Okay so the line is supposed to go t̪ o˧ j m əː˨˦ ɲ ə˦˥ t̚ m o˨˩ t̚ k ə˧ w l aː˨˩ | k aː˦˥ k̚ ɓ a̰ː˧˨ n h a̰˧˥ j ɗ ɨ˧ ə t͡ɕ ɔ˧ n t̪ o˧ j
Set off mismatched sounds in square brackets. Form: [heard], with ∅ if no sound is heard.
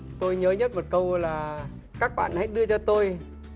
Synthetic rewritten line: t̪ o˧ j [ɲ] əː˨˦ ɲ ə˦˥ t̚ m o˨˩ t̚ k ə˧ w l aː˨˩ | k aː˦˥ k̚ ɓ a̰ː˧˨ n h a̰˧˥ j ɗ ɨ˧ ə t͡ɕ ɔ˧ [∅] t̪ o˧ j